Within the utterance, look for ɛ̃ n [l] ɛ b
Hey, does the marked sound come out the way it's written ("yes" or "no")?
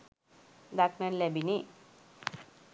yes